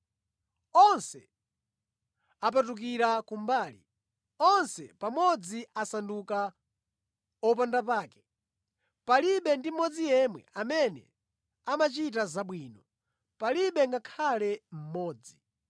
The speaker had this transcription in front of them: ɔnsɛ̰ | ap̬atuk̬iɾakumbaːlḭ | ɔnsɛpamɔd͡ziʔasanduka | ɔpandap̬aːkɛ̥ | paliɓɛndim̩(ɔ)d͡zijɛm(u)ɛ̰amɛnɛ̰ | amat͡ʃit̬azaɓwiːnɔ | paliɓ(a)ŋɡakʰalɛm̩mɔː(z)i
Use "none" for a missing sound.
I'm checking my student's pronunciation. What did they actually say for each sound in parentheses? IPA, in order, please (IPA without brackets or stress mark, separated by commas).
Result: ɔ, w, ɛ, d͡z